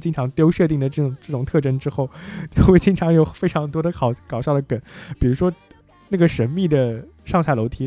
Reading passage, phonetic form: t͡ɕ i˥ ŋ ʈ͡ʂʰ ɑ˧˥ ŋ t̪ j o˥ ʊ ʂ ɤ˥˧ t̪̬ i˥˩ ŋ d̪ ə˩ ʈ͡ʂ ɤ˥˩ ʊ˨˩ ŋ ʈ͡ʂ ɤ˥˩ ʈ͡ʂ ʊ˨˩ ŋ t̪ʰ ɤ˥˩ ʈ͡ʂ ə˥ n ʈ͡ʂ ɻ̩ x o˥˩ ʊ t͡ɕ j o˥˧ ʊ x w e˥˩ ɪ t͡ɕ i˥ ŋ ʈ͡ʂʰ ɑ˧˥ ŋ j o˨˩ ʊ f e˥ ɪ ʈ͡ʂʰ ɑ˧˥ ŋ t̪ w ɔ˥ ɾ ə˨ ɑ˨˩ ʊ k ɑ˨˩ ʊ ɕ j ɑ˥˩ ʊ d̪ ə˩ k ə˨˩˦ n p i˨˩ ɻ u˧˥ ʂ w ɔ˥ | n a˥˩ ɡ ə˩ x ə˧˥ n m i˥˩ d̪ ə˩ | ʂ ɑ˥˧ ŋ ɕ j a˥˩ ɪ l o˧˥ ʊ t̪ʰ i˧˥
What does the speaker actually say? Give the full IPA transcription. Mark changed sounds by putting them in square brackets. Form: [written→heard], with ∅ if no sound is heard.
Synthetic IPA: t͡ɕ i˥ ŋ ʈ͡ʂʰ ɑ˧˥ ŋ t̪ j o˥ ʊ ʂ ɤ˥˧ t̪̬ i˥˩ ŋ d̪ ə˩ ʈ͡ʂ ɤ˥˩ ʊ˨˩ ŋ ʈ͡ʂ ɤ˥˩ ʈ͡ʂ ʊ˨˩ ŋ t̪ʰ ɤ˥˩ ʈ͡ʂ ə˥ n ʈ͡ʂ ɻ̩ x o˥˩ ʊ t͡ɕ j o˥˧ ʊ x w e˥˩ ɪ t͡ɕ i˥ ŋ ʈ͡ʂʰ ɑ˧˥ ŋ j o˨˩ ʊ f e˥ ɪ ʈ͡ʂʰ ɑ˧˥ ŋ t̪ w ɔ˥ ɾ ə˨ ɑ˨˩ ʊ k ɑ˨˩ ʊ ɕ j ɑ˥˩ ʊ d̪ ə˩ k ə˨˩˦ n p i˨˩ ɻ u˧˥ ʂ w ɔ˥ | n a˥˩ ɡ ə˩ [x→ʂ] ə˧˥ n m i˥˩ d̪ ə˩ | ʂ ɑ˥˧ ŋ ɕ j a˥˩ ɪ l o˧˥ ʊ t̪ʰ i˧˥